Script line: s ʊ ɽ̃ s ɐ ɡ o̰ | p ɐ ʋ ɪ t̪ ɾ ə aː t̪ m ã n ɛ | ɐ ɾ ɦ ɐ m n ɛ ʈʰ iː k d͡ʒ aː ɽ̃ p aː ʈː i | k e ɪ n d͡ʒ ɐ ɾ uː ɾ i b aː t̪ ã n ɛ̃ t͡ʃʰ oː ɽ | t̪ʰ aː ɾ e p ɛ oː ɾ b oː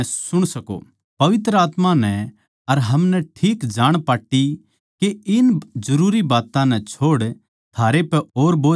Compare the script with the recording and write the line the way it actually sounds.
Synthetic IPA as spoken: s ʊ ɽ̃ s ɐ k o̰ | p ɐ ʋ ɪ t̪ ɾ ə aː t̪ m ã n ɛ | ɐ ɾ ɦ ɐ m n ɛ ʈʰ iː k d͡ʒ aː ɽ̃ p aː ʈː i | k e ɪ n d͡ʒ ɐ ɾ uː ɾ i b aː t̪ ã n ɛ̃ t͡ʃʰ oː ɽ | t̪ʰ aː ɾ e p ɛ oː ɾ b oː

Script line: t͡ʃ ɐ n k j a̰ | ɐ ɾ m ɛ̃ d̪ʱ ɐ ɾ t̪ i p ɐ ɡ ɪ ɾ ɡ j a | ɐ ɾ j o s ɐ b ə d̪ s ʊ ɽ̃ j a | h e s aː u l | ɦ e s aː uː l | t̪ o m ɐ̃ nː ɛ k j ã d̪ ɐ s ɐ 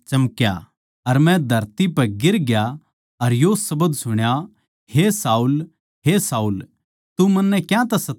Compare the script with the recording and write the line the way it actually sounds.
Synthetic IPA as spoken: t͡ʃ ɐ m k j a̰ | ɐ ɾ m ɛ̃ d̪ʱ ɐ ɾ t̪ i p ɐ ɡ ɪ ɾ ɡ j a | ɐ ɾ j o s ɐ b ə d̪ s ʊ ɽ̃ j a | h e s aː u l | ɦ e s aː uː l | t̪ u m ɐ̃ nː ɛ k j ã t̪ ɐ s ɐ

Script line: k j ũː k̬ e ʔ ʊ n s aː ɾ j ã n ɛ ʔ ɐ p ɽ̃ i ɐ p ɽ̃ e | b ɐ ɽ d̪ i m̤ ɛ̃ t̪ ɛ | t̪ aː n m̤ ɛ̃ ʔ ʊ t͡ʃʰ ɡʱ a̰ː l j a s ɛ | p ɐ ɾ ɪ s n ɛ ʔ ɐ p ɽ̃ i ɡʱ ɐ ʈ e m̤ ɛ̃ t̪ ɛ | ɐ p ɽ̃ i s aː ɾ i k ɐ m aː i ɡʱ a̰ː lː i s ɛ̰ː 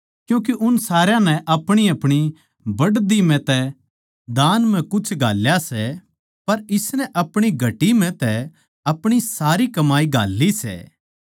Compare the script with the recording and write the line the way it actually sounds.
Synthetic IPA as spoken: k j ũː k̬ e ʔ ʊ n s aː ɾ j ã n ɛ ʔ ɐ p ɽ̃ i ɐ p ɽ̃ i | b ɐ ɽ d̪ i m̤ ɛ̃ t̪ ɛ | d̪ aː n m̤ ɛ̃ k ʊ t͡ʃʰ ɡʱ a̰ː l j a s ɛ | p ɐ ɾ ɪ s n ɛ ʔ ɐ p ɽ̃ i ɡʱ ɐ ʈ i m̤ ɛ̃ t̪ ɛ | ɐ p ɽ̃ i s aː ɾ i k ɐ m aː i ɡʱ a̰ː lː i s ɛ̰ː

